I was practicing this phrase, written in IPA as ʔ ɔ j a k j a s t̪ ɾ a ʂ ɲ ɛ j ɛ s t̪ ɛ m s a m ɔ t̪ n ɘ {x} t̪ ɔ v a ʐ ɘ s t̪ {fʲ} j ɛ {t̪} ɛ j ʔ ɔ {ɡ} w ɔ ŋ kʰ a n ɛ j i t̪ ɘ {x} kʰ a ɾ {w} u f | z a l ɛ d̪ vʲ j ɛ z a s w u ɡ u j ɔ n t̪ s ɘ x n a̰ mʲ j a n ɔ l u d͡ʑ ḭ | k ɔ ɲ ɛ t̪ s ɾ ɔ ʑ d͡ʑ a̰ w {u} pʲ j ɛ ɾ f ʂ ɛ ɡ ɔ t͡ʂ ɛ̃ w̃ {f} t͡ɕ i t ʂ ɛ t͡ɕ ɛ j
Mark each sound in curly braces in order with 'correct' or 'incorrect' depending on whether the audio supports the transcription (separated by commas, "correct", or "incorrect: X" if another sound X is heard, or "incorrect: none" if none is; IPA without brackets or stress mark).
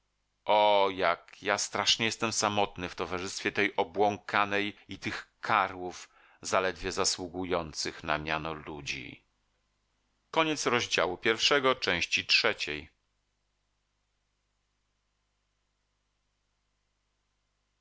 incorrect: f, correct, correct, incorrect: b, correct, correct, correct, incorrect: ɕ